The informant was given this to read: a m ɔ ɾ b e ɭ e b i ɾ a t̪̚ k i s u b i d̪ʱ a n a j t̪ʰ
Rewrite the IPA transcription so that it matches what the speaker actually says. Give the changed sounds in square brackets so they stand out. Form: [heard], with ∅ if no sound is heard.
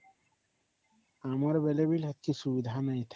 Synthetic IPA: a m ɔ ɾ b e [l] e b i [l] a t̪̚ k i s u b i d̪ʱ a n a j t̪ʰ